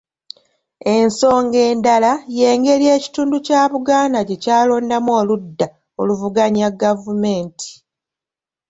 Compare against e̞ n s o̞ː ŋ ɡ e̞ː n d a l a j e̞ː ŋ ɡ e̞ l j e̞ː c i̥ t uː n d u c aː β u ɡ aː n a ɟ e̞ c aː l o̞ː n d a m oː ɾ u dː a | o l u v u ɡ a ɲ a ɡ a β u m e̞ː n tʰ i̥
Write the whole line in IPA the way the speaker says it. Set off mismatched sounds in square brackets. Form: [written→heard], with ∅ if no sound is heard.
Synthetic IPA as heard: e̞ n s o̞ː ŋ ɡ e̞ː n d a l a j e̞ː ŋ ɡ e̞ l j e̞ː c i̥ t uː n d u c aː β u ɡ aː n a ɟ e̞ c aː l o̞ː n d a m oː [ɾ→l] u dː a | o l u v u ɡ a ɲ a ɡ a [β→v] u m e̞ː n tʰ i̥